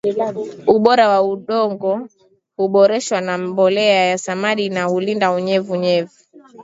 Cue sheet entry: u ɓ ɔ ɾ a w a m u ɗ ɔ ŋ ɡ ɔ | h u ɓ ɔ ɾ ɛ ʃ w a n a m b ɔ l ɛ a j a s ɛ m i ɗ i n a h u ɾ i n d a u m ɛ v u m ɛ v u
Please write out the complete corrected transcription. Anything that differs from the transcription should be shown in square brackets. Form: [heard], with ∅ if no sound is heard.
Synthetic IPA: u ɓ ɔ ɾ a w a [∅] u ɗ ɔ ŋ ɡ ɔ | h u ɓ ɔ ɾ ɛ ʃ w a n a m b ɔ l ɛ a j a s [a] m [a] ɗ i n a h u [l] i n d a u [ɲ] ɛ v u [ɲ] ɛ v u